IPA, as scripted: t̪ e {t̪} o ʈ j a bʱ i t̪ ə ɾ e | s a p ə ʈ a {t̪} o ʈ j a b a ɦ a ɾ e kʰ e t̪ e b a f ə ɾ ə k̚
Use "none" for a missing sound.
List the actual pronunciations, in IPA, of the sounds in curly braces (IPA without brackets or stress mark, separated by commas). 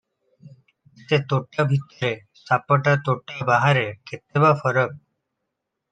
t̪, t̪